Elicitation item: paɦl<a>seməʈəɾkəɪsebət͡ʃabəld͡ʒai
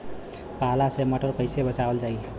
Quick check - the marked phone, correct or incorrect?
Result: correct